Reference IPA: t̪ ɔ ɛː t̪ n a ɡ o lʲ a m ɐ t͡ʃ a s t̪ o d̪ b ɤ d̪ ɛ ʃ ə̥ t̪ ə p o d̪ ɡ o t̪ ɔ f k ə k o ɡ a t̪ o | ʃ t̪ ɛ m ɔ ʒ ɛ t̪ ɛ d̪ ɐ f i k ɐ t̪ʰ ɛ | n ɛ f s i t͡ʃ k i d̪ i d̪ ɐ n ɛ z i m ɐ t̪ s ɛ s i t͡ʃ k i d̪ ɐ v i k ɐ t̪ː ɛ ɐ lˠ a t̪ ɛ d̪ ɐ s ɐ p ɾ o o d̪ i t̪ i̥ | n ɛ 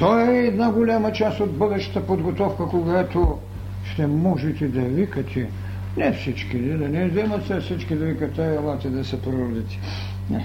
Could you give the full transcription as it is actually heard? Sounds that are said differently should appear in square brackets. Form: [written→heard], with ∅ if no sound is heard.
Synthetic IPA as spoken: t̪ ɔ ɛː [t̪→d̪] n a ɡ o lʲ a m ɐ t͡ʃ a s t̪ o d̪ b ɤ d̪ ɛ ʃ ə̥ t̪ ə p o d̪ ɡ o t̪ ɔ f k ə k o ɡ a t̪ o | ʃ t̪ ɛ m ɔ ʒ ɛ t̪ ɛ d̪ ɐ [f→v] i k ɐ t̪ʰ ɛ | n ɛ f s i t͡ʃ k i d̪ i d̪ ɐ n ɛ z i m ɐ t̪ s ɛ s i t͡ʃ k i d̪ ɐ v i k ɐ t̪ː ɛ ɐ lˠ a t̪ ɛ d̪ ɐ s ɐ p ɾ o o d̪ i t̪ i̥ | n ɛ